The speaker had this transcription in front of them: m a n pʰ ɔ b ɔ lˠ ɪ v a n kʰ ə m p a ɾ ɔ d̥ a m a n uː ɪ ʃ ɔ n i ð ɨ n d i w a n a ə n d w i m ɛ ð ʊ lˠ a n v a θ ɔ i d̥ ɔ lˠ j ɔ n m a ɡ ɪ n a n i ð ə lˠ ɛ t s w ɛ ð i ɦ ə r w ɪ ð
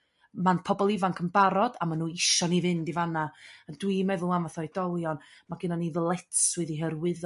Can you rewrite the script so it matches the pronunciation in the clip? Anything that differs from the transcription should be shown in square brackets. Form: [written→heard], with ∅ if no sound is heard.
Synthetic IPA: m a n pʰ ɔ b ɔ lˠ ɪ v a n kʰ ə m [p→b] a ɾ ɔ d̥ a m a n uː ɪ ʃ ɔ n i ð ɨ n d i [w→v] a n a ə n d w i m ɛ ð ʊ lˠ a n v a θ ɔ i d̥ ɔ lˠ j ɔ n m a ɡ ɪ n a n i ð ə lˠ ɛ t s w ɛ ð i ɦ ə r w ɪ ð